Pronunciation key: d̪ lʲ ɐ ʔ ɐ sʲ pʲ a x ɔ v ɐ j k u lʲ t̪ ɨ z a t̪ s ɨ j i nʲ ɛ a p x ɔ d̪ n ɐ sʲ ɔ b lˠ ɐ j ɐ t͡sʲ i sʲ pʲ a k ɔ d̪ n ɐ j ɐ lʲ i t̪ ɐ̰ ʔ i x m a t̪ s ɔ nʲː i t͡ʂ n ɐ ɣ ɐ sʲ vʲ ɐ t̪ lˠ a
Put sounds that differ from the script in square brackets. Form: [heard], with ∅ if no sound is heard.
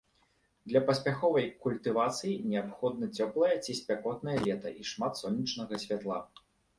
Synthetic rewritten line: d̪ lʲ ɐ [p] ɐ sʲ pʲ a x ɔ v ɐ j k u lʲ t̪ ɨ [v] a t̪ s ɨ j i nʲ ɛ a p x ɔ d̪ n ɐ [t͡sʲ] ɔ [p] lˠ ɐ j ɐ t͡sʲ i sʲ pʲ a k ɔ [t̪] n ɐ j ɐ lʲ [ɛ] t̪ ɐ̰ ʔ i [ʂ] m a t̪ s ɔ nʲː i t͡ʂ n ɐ ɣ ɐ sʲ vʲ [a] t̪ lˠ a